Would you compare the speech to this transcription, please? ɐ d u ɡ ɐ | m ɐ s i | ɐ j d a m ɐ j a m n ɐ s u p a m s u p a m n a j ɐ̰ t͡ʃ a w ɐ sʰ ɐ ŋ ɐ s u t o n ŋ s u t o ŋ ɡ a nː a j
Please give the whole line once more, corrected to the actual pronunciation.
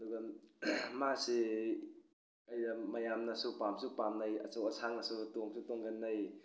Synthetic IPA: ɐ d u ɡ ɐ | m a s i | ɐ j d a m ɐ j a m n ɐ s u p a m s u p a m n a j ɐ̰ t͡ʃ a w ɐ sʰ a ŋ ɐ s u t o ŋ s u t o ŋ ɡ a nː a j